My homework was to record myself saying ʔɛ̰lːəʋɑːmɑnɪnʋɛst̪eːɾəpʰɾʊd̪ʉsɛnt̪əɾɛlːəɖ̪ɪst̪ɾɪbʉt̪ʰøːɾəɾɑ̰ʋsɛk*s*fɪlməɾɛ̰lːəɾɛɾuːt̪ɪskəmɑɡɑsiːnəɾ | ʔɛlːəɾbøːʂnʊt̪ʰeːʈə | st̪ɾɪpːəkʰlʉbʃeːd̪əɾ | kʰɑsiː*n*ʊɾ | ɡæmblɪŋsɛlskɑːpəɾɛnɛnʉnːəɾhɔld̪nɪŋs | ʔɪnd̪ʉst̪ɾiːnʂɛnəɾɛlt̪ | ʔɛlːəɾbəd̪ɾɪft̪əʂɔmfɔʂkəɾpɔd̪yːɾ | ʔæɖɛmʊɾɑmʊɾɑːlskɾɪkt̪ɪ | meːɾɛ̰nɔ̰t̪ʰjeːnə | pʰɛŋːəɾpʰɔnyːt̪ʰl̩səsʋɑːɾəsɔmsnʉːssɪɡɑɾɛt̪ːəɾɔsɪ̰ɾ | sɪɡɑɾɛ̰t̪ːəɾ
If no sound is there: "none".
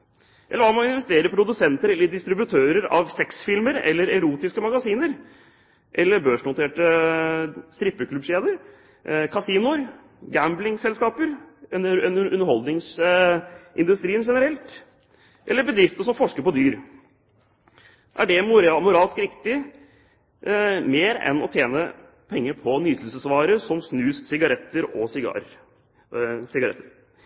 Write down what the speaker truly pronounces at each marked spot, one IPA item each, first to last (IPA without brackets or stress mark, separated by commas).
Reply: s, n